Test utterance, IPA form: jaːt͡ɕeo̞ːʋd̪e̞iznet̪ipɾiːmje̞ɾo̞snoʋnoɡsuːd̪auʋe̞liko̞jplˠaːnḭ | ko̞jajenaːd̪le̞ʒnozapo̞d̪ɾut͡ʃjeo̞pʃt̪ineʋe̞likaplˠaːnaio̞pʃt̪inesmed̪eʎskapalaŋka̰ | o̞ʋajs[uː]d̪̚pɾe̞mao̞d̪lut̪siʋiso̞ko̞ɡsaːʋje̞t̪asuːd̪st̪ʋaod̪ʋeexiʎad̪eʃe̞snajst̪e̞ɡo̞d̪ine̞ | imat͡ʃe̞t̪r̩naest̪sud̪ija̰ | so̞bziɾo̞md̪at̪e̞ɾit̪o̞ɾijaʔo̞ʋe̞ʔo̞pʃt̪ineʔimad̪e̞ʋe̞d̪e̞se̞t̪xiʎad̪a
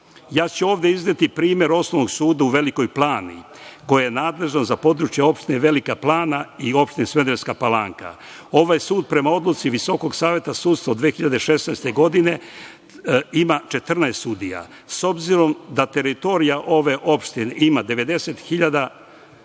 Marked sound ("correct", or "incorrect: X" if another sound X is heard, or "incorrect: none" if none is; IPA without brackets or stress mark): correct